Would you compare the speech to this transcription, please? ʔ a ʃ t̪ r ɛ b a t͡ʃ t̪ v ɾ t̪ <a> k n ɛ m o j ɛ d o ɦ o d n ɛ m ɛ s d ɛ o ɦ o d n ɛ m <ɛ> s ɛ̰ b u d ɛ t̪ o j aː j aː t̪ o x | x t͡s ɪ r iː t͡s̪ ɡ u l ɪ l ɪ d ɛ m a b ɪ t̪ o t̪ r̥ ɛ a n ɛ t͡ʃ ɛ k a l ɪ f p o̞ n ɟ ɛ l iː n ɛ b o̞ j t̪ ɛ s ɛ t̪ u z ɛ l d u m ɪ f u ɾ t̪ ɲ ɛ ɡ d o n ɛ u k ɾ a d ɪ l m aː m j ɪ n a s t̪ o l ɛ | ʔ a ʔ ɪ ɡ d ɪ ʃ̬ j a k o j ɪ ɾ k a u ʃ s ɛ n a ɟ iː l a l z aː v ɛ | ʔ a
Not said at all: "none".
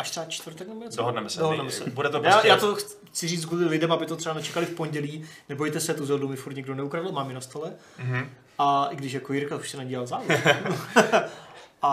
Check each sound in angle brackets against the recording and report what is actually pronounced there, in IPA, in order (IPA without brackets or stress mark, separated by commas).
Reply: ɛ, ɛ